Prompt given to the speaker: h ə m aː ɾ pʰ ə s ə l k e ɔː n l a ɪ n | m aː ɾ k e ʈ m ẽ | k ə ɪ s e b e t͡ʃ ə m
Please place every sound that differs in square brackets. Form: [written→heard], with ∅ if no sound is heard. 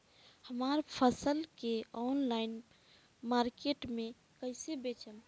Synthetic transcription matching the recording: h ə m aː ɾ pʰ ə s ə l k e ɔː n l a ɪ n | m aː ɾ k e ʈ m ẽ | k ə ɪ s e b e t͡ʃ ə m